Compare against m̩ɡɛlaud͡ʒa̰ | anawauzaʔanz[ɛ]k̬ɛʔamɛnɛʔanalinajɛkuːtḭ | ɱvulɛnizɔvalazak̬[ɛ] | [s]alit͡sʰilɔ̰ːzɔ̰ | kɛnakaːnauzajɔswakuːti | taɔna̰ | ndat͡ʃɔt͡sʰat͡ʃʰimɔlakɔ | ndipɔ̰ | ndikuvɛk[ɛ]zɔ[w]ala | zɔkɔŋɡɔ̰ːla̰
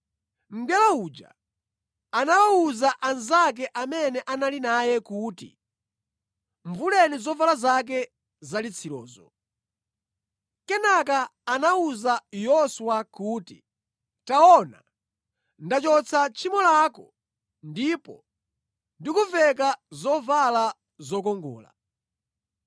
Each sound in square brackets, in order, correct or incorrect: incorrect: a, correct, incorrect: z, incorrect: a, incorrect: v

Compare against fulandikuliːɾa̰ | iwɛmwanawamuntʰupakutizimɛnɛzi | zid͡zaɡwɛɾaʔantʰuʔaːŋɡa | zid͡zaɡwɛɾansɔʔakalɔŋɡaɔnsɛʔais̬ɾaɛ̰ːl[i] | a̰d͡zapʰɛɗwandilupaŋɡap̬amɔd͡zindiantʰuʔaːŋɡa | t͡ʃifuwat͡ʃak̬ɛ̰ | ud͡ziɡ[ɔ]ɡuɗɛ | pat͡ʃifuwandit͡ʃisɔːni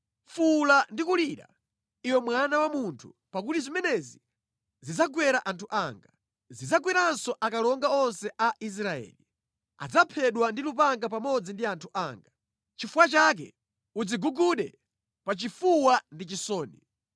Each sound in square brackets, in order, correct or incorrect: correct, incorrect: u

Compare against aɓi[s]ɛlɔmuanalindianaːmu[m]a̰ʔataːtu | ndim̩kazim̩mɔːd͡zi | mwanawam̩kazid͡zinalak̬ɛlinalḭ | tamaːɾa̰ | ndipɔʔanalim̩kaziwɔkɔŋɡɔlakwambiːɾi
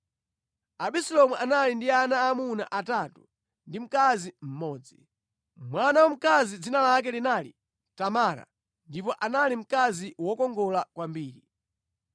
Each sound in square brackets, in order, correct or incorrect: correct, incorrect: n

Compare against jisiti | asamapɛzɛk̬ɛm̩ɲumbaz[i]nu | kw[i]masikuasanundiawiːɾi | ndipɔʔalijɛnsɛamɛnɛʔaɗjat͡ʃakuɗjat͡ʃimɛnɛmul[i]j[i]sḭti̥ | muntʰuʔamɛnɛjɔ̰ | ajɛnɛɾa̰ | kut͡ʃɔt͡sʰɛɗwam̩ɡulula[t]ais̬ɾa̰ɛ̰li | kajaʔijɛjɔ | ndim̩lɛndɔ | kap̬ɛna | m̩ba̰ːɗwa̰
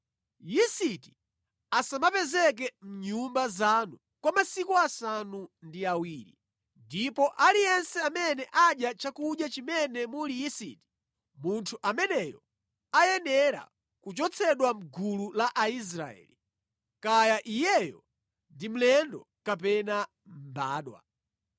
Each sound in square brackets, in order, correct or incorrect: incorrect: a, incorrect: a, correct, correct, incorrect: ʔ

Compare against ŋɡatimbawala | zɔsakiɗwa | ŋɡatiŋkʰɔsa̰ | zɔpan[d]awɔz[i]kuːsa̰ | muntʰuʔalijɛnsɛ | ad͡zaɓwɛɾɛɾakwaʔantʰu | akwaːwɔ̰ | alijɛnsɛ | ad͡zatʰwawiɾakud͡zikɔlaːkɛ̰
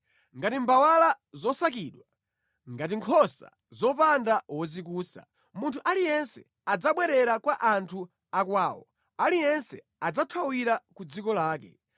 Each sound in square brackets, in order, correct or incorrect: correct, correct

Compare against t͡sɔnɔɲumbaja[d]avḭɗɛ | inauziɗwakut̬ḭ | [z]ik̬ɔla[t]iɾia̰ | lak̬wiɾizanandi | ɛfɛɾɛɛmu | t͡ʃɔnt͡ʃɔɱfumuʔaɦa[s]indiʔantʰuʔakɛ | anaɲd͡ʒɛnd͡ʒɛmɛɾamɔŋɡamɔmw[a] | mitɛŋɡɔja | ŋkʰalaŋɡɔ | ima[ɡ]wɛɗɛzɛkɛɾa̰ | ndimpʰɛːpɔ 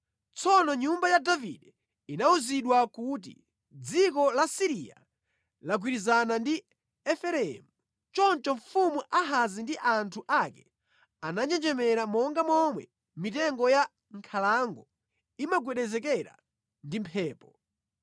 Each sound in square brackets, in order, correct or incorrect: correct, incorrect: d͡z, incorrect: s, incorrect: z, incorrect: ɛ, correct

